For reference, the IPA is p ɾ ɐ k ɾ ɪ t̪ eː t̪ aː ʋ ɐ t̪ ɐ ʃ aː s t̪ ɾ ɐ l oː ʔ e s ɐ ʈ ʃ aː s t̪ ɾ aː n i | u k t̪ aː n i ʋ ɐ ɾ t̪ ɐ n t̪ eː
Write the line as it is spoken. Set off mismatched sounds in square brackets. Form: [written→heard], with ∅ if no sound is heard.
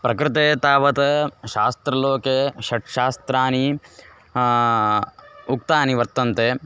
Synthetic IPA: p ɾ ɐ k ɾ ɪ t̪ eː t̪ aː ʋ ɐ t̪ ɐ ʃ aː s t̪ ɾ ɐ l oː [ʔ→k] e [s→ʃ] ɐ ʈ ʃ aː s t̪ ɾ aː n i | u k t̪ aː n i ʋ ɐ ɾ t̪ ɐ n t̪ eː